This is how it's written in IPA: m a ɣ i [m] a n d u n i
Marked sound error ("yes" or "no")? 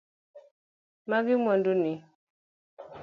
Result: no